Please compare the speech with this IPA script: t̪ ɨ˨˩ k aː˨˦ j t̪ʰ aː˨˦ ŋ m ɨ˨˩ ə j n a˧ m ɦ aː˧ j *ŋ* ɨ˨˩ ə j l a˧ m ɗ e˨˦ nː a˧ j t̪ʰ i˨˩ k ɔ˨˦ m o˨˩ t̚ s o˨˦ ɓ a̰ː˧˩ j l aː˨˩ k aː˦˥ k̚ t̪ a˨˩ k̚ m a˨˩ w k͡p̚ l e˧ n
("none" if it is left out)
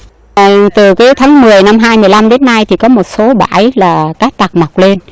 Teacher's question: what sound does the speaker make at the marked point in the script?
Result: m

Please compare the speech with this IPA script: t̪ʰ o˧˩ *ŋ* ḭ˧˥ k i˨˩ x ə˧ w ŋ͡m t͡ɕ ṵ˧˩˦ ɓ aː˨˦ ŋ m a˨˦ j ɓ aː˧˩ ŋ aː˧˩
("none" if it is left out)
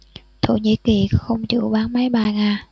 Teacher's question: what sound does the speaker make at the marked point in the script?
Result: ɲ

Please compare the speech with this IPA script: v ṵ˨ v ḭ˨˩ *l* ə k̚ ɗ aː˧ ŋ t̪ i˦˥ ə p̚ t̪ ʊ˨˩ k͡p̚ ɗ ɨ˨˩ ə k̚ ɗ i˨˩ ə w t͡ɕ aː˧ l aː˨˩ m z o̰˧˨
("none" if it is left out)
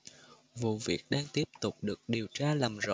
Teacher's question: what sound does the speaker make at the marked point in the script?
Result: none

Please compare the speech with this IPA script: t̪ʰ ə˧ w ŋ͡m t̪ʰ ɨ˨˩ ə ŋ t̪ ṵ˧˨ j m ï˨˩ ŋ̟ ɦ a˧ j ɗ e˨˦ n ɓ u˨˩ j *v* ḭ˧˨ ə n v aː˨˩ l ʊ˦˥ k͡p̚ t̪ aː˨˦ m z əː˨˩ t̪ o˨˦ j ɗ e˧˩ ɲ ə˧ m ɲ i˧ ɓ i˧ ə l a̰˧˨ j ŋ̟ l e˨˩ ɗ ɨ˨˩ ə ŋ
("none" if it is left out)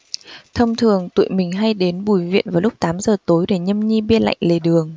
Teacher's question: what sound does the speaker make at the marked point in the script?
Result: v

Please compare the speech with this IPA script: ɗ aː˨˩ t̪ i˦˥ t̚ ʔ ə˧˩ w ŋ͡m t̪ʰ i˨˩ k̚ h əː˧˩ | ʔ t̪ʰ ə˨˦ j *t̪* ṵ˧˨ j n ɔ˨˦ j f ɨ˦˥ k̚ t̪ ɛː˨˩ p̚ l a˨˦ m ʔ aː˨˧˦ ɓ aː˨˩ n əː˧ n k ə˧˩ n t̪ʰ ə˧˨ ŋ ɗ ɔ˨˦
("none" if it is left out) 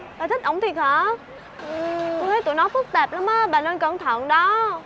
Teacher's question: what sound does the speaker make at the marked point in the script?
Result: t̪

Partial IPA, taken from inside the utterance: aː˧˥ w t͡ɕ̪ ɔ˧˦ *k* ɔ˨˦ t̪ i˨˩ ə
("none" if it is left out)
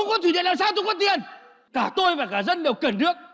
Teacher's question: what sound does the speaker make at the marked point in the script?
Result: k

